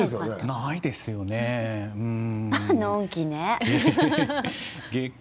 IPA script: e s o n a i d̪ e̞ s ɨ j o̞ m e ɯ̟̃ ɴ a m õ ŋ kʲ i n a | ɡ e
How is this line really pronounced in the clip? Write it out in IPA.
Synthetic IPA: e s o n a i d̪ e̞ s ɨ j o̞ n e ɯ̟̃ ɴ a n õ ŋ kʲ i n e | ɡ e